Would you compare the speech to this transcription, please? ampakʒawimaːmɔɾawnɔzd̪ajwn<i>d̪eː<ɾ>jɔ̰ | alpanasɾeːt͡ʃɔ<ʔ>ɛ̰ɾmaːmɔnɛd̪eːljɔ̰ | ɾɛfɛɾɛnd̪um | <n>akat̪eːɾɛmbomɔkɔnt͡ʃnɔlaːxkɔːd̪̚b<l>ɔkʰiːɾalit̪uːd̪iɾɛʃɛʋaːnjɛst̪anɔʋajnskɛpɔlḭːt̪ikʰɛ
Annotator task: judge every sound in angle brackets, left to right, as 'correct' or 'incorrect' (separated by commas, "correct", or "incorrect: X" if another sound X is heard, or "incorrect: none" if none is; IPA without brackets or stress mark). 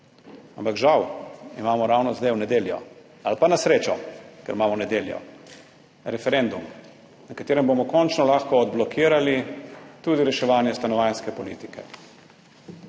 incorrect: ɛ, incorrect: l, incorrect: k, correct, correct